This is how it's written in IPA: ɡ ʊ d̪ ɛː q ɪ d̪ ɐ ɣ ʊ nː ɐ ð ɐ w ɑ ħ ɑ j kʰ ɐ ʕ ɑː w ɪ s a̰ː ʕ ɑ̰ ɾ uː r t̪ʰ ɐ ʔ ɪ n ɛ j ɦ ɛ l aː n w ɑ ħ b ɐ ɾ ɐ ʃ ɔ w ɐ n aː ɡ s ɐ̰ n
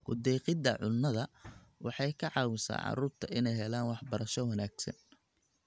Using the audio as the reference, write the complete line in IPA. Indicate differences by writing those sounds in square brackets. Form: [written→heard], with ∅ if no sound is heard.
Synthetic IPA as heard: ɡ ʊ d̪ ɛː q ɪ d̪ ɐ [ɣ→ʕ] ʊ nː ɐ ð ɐ w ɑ ħ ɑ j kʰ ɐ ʕ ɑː w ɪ s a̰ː ʕ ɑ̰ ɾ uː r t̪ʰ ɐ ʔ ɪ n ɛ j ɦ ɛ l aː n w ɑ ħ b ɐ ɾ ɐ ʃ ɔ w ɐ n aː ɡ s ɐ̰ n

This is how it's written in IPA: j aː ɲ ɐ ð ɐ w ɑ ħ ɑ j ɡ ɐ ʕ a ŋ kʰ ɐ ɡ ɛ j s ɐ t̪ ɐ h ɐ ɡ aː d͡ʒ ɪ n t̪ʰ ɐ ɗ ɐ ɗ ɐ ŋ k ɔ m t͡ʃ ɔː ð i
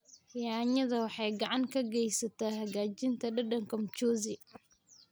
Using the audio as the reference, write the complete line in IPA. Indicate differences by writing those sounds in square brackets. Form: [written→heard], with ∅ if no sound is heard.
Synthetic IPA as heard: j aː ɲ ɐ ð ɐ w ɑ ħ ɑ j ɡ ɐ ʕ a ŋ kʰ ɐ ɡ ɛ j s ɐ t̪ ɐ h ɐ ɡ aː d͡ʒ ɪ n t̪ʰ ɐ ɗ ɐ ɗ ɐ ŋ k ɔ m t͡ʃ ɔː [ð→z] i

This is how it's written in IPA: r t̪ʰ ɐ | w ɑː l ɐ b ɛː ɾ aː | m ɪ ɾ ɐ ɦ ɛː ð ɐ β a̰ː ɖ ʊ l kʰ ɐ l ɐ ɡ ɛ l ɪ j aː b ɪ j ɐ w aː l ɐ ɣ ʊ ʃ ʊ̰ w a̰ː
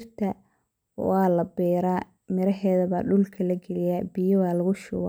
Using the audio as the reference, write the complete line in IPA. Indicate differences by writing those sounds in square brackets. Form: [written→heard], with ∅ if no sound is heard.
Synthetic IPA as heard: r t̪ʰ ɐ | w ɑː l ɐ b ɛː ɾ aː | m ɪ ɾ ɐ ɦ ɛː ð ɐ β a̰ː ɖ ʊ l kʰ ɐ l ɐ ɡ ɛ l ɪ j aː b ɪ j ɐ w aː l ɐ ɣ ʊ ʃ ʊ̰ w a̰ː

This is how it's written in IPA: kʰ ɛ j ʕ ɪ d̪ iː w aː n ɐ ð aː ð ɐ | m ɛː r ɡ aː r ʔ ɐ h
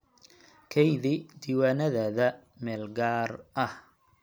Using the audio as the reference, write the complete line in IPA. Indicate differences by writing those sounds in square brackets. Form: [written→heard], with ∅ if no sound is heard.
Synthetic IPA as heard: kʰ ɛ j [ʕ→ð] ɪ d̪ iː w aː n ɐ ð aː ð ɐ | m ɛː [r→l] ɡ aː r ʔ ɐ h

